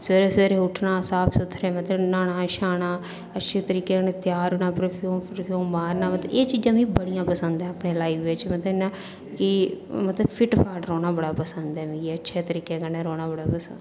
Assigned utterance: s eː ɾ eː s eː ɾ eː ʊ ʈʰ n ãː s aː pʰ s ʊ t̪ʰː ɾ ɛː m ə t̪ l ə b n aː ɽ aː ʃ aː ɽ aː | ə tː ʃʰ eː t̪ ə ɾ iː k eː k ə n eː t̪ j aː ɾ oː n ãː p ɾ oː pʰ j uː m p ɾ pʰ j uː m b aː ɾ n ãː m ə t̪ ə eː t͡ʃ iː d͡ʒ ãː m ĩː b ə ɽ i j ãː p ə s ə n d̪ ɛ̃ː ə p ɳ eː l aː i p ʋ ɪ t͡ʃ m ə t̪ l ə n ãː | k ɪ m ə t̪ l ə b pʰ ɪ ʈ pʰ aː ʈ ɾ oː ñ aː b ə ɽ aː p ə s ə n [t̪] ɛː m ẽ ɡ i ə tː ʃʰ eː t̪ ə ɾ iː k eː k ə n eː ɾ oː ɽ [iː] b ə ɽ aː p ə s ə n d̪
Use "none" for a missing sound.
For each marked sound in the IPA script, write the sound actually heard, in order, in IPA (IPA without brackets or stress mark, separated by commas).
d̪, aː